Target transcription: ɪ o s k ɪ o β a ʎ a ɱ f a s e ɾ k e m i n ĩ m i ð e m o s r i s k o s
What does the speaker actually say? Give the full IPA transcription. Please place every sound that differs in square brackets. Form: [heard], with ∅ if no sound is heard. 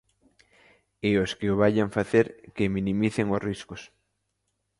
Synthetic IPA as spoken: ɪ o s k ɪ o β a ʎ a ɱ f a [θ] e ɾ k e m i n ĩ m i [θ] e [ŋ] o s r i s k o s